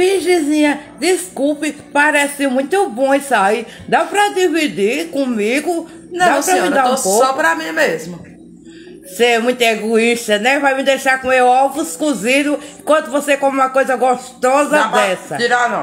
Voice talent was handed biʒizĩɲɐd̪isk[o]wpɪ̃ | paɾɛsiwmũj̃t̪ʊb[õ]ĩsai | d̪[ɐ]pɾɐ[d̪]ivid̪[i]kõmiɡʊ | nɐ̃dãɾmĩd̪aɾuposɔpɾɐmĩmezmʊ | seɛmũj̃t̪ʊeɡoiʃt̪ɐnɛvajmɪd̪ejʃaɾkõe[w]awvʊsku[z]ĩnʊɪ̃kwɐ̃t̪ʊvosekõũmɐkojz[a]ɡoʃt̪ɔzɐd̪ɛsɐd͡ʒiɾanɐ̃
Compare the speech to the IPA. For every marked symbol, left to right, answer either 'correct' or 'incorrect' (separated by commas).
incorrect, correct, incorrect, correct, correct, correct, correct, incorrect